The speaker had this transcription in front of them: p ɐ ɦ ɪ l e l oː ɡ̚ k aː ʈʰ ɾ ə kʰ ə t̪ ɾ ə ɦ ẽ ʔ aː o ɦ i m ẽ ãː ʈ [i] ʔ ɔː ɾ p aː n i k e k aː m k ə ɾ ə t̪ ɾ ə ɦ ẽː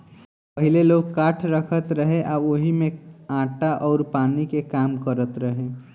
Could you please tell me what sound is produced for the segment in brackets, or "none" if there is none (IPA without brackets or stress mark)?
a